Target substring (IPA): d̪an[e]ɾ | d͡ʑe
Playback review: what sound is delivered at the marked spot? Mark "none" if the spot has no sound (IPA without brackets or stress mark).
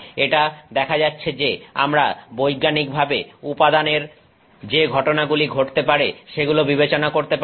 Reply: e